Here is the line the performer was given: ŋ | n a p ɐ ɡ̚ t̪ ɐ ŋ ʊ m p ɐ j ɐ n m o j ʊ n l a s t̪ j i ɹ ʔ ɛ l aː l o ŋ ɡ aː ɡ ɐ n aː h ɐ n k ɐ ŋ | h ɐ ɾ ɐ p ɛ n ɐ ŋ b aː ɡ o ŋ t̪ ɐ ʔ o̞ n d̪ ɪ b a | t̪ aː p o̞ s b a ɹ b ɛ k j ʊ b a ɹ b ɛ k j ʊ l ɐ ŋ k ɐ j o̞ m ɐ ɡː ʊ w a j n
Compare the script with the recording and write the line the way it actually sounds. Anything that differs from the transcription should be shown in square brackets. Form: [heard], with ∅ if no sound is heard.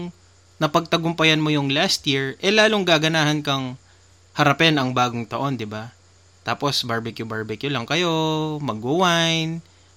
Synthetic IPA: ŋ | n [ɐ] p ɐ ɡ̚ t̪ ɐ [ɡ] ʊ m p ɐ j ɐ n m o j ʊ [ŋ] l a s t̪ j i ɹ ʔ ɛ l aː l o ŋ ɡ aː ɡ ɐ n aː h ɐ n k ɐ ŋ | h ɐ ɾ ɐ p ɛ n ɐ ŋ b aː ɡ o ŋ t̪ ɐ ʔ o̞ n d̪ ɪ b a | t̪ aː p o̞ s b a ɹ b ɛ k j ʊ b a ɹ b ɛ k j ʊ l ɐ ŋ k ɐ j o̞ m ɐ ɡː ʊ w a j n